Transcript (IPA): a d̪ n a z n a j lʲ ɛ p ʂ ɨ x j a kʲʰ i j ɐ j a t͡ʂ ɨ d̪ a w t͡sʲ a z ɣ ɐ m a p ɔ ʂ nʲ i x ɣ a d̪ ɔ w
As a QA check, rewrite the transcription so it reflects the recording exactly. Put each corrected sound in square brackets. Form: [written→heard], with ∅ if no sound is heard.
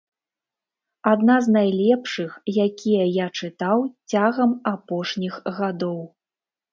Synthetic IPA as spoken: a d̪ n a z n a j lʲ ɛ p ʂ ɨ x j a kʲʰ i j ɐ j a t͡ʂ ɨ [d̪→t̪] a w t͡sʲ a [z→∅] ɣ ɐ m a p ɔ ʂ nʲ i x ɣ a d̪ ɔ w